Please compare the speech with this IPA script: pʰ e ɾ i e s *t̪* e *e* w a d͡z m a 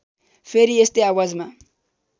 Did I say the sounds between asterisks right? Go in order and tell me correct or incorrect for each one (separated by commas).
correct, incorrect